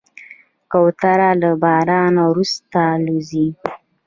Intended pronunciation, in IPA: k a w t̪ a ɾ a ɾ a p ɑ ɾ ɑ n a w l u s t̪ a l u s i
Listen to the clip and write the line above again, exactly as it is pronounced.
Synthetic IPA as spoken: k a w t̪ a ɾ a l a b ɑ ɾ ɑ n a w ɾ u s t̪ a l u z i

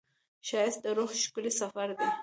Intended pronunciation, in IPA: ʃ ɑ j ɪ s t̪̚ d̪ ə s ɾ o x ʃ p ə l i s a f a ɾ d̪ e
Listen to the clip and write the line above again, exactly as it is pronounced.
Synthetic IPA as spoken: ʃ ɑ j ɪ s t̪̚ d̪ ə ɾ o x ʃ k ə l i s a f a ɾ d̪ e

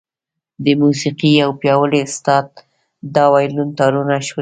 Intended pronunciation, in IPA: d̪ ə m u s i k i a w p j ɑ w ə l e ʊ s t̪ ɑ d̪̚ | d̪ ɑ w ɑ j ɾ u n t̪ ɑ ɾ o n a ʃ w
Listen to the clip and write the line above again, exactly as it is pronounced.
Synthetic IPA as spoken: d̪ ə m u s i q i a w p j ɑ w ə l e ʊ s t̪ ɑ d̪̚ | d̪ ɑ w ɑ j l u n t̪ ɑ ɾ u n a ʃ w

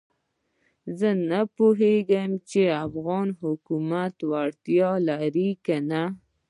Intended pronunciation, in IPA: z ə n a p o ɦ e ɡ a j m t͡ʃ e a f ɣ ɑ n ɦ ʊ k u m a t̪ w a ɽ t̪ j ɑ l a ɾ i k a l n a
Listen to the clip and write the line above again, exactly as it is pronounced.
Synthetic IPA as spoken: z ə n a p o ɦ e ɡ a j m t͡ʃ e a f ɣ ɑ n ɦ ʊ k u m a t̪ w a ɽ t̪ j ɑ l a ɾ i k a n a

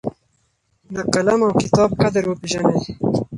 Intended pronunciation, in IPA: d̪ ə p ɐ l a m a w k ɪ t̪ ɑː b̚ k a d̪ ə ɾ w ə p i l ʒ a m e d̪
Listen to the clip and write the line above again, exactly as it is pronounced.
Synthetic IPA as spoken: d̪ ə k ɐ l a m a w k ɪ t̪ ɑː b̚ k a d̪ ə ɾ w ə p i ʒ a n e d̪

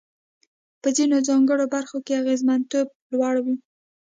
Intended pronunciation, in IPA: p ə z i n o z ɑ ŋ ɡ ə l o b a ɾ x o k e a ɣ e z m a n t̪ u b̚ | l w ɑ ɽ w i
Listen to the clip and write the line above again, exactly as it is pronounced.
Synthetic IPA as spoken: p ə z i n o z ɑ ŋ ɡ ə ɽ o b a ɾ x o k e a ɣ e z m a n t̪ o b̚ | l w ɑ ɽ w i

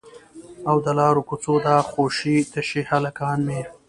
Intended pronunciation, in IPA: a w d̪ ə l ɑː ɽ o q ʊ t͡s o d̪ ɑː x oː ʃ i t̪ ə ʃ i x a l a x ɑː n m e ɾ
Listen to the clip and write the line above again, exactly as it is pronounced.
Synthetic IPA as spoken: a w d̪ ə l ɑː ɾ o k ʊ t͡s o d̪ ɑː x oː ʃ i t̪ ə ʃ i h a l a k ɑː n m e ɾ

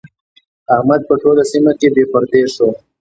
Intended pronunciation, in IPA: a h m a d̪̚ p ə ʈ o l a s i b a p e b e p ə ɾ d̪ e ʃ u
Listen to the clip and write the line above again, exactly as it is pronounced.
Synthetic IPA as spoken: a h m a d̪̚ p ə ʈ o l a s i m a k e b e p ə ɾ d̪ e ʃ o

